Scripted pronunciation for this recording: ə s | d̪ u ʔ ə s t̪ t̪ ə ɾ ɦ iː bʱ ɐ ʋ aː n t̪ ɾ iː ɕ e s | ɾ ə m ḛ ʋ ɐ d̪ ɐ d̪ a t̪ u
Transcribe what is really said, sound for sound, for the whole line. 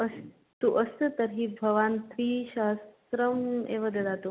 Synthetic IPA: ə s | t̪ u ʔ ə s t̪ t̪ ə ɾ ɦ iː bʱ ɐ ʋ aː n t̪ ɾ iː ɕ a s | ɾ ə m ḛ ʋ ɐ d̪ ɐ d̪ a t̪ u